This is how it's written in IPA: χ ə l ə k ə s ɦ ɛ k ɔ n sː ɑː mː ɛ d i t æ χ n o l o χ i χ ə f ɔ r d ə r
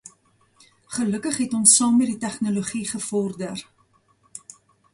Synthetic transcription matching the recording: χ ə l ə k ə χ ɦ ɛ t ɔ n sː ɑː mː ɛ d i t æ χ n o l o χ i χ ə f ɔ r d ə r